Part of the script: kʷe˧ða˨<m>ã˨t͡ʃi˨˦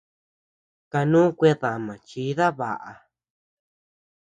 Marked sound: correct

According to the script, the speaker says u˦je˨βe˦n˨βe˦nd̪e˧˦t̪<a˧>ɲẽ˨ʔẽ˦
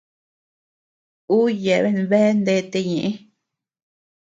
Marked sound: incorrect: e˧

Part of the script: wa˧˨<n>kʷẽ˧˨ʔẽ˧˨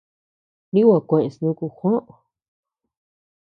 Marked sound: incorrect: none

